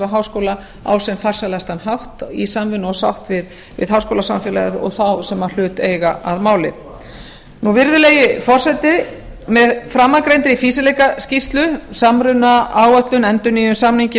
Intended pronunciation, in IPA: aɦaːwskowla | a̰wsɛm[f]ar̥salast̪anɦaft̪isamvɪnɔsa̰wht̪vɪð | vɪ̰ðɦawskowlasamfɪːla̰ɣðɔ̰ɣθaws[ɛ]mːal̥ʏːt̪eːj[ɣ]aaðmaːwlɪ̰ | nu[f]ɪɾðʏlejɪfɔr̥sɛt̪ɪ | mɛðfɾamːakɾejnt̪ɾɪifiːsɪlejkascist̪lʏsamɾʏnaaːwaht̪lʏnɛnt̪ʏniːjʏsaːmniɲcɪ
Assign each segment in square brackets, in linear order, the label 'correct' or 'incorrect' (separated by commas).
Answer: correct, correct, correct, incorrect